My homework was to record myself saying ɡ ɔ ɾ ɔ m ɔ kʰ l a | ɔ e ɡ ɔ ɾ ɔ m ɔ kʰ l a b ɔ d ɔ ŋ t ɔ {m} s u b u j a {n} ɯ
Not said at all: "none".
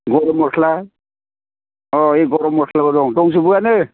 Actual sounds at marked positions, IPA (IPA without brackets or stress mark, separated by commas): ŋ, n